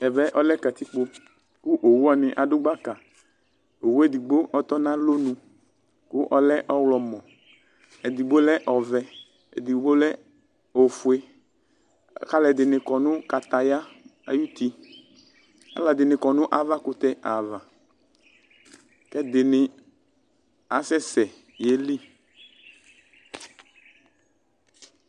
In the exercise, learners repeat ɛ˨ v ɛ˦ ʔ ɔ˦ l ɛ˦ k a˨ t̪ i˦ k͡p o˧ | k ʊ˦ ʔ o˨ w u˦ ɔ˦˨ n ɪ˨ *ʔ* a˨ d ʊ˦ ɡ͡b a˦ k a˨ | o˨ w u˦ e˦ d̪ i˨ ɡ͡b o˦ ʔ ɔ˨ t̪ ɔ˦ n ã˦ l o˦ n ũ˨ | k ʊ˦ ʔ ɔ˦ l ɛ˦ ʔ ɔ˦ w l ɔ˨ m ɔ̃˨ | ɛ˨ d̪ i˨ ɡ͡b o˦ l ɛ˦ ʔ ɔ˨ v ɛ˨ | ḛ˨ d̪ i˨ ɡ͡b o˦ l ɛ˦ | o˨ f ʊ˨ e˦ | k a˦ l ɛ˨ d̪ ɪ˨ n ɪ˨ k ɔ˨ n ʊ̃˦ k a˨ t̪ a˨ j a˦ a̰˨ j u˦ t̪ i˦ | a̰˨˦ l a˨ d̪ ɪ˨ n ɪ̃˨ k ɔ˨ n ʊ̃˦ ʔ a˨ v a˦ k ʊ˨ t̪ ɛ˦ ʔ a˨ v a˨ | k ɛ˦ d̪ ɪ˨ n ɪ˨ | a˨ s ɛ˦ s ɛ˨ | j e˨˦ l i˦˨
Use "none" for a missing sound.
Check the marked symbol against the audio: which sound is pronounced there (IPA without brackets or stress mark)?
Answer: ʔ